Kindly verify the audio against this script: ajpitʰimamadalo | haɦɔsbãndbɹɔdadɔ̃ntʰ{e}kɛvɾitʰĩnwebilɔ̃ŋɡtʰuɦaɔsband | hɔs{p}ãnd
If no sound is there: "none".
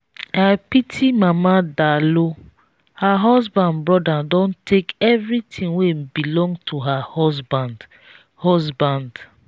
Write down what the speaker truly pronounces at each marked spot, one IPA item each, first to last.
e, b

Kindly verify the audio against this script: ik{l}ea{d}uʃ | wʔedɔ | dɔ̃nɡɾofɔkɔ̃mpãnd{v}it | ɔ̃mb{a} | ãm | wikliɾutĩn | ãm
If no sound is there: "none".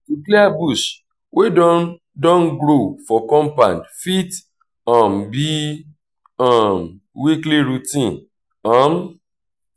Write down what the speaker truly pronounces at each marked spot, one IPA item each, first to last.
l, b, f, i

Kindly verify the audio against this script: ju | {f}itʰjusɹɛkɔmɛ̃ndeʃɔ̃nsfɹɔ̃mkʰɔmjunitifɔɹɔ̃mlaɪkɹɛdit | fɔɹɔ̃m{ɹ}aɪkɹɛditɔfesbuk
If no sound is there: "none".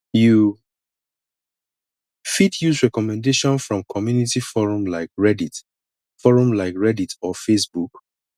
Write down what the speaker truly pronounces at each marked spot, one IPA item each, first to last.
f, l

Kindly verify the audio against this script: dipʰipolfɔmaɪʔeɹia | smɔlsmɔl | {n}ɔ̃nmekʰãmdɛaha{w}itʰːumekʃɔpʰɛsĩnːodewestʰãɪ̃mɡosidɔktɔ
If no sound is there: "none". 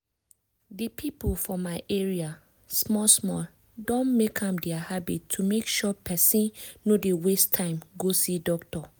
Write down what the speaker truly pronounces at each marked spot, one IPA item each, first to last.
d, b

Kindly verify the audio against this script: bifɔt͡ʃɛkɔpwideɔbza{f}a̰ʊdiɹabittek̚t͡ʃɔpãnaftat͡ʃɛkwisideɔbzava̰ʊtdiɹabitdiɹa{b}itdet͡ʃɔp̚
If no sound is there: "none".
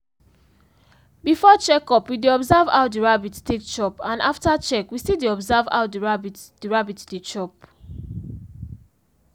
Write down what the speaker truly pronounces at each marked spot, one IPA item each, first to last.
v, b

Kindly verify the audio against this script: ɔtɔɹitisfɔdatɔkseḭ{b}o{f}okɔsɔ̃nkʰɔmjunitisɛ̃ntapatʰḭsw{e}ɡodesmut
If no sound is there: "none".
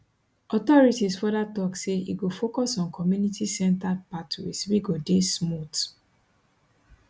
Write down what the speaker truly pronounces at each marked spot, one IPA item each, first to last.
ɡ, f, i

